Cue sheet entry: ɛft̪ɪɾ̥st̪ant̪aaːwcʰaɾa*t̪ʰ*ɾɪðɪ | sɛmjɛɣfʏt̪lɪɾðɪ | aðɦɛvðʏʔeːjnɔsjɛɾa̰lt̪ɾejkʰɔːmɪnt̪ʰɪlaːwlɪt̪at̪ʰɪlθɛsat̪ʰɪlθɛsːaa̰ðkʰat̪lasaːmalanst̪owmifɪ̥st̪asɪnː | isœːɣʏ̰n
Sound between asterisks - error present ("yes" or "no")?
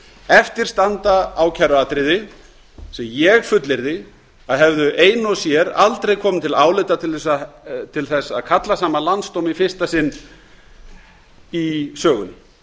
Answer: yes